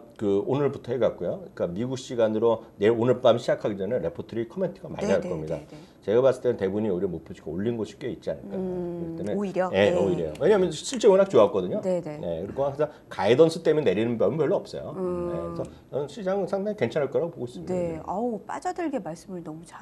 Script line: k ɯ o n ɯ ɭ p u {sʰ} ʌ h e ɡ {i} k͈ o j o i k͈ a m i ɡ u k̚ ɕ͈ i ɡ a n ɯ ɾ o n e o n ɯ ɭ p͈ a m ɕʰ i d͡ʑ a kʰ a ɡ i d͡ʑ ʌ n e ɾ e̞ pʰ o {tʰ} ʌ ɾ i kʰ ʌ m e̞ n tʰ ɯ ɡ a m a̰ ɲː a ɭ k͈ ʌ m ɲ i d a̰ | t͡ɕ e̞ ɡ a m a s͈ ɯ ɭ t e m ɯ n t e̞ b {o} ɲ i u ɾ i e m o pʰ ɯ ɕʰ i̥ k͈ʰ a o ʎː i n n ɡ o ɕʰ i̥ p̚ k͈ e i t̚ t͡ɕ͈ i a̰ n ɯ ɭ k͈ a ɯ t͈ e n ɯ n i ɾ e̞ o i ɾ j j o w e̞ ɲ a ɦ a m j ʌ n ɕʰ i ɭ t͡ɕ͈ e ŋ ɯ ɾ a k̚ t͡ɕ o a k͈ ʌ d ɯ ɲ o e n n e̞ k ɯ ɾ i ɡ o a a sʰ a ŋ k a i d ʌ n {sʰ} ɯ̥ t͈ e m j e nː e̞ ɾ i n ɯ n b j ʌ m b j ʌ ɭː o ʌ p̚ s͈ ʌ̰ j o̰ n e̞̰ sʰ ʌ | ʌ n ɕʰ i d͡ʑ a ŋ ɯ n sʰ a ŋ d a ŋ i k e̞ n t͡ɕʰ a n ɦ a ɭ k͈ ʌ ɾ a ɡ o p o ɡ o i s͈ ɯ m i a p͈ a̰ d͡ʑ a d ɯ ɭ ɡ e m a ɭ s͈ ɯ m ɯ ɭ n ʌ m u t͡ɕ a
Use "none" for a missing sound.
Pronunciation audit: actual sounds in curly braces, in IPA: tʰ, a, tʰ, u, sʰ

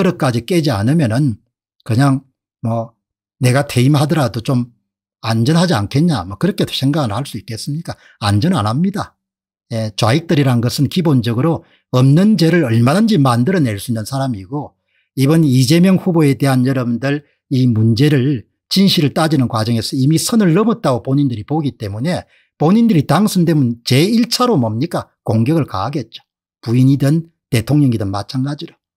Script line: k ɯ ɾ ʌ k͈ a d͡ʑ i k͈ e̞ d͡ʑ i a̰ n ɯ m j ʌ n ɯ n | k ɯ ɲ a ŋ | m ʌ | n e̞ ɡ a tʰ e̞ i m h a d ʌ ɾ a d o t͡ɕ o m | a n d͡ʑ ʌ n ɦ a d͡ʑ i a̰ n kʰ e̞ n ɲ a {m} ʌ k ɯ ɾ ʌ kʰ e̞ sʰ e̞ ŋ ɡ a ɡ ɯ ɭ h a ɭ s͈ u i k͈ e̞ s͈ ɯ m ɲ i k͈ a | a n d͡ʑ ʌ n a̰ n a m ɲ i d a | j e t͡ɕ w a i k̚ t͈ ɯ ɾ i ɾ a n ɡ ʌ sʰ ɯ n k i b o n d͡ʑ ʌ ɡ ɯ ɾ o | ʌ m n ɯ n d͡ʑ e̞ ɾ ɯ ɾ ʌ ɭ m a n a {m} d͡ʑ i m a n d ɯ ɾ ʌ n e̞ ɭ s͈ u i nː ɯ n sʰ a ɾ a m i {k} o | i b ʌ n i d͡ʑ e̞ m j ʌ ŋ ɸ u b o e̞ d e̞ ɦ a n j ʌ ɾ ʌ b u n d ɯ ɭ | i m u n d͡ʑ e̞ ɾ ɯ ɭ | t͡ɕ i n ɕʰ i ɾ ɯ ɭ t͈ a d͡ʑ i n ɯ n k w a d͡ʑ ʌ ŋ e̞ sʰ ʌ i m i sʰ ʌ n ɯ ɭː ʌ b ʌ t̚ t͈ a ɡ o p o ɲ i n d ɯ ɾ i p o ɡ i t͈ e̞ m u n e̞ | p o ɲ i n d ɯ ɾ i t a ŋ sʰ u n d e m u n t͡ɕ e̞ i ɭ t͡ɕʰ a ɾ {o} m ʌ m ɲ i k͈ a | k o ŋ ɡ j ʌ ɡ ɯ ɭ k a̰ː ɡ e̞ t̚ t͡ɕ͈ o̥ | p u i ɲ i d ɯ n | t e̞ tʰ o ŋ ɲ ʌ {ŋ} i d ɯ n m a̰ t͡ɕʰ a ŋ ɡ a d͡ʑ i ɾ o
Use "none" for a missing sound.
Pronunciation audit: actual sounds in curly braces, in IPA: m, n, ɡ, o, ŋ

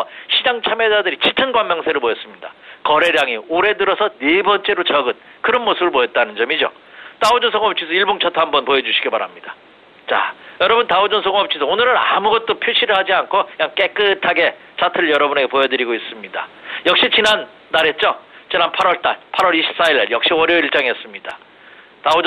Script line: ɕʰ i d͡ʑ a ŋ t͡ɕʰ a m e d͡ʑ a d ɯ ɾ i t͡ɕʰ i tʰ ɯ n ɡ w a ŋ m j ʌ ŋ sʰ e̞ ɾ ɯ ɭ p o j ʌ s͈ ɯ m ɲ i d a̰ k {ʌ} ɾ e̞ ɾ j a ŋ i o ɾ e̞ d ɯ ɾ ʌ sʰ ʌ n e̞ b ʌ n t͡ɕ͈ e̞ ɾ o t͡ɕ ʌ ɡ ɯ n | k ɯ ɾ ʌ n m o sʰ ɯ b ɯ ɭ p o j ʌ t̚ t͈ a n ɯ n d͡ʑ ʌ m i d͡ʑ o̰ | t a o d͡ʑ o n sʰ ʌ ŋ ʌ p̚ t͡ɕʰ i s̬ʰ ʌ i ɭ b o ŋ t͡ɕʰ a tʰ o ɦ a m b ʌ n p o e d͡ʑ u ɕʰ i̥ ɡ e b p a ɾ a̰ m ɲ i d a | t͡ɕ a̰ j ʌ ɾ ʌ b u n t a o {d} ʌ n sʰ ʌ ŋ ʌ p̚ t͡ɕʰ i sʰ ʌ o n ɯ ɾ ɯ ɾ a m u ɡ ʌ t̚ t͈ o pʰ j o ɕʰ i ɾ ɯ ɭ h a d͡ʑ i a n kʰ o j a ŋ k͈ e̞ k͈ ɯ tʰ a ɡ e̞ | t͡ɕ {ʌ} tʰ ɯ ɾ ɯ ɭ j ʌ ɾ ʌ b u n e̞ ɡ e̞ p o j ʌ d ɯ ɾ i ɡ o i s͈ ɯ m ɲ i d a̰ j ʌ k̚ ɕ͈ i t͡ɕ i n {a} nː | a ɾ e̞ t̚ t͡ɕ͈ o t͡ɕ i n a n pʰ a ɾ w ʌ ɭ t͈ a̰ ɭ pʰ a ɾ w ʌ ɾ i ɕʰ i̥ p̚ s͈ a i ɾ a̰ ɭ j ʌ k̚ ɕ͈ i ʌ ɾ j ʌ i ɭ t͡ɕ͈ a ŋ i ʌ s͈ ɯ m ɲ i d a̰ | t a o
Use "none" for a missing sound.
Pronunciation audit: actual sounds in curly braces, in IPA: ʌ, d͡ʑ, a, a

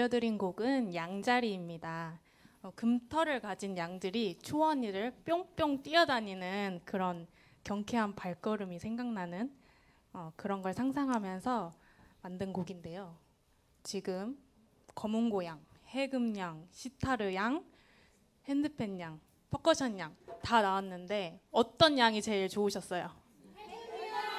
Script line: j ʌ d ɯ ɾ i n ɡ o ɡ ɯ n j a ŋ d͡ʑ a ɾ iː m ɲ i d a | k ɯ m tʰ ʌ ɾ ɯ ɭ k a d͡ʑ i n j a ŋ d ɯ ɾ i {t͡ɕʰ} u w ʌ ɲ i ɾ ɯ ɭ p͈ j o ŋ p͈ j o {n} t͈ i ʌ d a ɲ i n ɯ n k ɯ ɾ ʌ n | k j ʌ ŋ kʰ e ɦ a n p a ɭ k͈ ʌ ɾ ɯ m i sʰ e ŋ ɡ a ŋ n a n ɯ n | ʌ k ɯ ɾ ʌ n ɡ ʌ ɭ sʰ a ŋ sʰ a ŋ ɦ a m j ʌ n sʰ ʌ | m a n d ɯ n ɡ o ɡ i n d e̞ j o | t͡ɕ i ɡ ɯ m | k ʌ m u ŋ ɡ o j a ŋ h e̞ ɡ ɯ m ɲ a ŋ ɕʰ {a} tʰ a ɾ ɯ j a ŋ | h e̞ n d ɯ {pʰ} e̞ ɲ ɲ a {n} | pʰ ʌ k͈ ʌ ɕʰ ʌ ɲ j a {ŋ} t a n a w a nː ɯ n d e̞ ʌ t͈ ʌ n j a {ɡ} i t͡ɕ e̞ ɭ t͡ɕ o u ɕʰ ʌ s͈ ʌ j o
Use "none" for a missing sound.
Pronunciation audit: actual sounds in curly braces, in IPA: t͡ɕʰ, ŋ, i, pʰ, ŋ, ŋ, ŋ

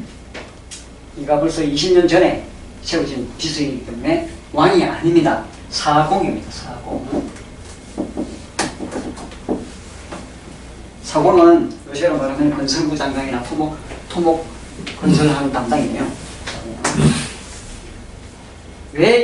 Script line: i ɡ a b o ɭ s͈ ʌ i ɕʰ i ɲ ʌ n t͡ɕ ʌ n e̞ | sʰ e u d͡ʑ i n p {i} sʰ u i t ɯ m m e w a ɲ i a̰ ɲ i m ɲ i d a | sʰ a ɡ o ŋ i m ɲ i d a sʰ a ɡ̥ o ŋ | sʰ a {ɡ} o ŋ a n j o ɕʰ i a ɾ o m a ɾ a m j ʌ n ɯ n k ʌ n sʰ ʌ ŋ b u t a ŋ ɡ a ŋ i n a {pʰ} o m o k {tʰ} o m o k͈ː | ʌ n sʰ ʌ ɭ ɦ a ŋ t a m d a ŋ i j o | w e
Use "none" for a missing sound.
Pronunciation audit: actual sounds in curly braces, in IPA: i, ɡ, tʰ, tʰ

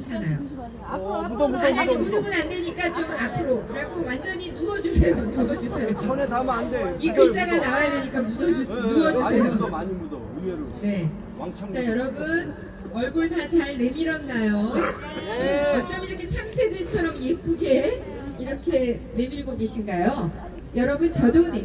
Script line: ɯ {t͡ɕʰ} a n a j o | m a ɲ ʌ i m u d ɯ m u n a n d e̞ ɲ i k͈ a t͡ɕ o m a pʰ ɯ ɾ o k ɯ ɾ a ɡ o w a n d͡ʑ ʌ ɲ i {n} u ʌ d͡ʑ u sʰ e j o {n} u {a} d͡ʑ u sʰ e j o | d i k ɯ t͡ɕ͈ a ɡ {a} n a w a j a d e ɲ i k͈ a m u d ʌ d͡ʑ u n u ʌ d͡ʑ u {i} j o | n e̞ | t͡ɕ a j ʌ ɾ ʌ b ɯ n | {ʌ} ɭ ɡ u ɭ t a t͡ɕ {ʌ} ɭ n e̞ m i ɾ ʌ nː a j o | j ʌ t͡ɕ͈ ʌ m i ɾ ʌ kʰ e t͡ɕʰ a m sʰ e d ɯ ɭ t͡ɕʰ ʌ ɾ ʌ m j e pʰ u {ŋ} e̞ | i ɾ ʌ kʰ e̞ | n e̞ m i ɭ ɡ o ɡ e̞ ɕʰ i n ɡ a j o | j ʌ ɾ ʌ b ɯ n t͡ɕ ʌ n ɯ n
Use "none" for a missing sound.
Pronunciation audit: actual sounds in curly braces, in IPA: t͡ɕʰ, n, n, ʌ, a, e, ʌ, a, ɡ

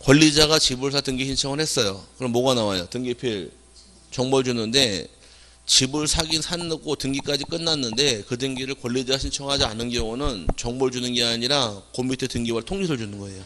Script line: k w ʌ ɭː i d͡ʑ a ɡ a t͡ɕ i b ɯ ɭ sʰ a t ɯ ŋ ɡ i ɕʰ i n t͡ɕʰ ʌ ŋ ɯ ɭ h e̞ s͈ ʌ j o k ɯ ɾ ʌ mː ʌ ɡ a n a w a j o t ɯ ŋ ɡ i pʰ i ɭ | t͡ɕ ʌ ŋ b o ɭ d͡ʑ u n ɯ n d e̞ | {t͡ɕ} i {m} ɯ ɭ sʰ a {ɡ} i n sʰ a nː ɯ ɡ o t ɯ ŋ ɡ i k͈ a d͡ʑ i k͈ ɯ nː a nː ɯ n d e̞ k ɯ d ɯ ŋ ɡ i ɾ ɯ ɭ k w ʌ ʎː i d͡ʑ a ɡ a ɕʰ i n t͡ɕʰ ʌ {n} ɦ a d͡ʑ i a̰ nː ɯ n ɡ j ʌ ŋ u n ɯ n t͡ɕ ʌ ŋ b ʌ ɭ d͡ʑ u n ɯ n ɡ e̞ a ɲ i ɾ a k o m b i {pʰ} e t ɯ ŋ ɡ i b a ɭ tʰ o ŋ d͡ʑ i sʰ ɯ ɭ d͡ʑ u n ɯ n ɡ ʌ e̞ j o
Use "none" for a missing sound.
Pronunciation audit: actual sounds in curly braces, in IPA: t͡ɕ, b, ɡ, ŋ, tʰ

